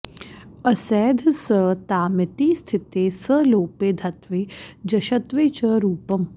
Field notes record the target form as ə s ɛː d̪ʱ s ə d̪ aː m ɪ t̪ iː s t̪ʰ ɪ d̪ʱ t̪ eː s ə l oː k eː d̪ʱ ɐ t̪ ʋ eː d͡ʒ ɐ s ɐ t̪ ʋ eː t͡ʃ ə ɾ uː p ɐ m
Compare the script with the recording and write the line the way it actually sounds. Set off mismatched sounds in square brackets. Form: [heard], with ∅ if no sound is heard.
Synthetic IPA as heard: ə s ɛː d̪ʱ s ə [t̪] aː m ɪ t̪ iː s t̪ʰ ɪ [∅] t̪ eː s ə l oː [p] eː d̪ʱ ɐ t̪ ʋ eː d͡ʒ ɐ [ʃ] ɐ t̪ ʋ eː t͡ʃ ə ɾ uː p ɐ m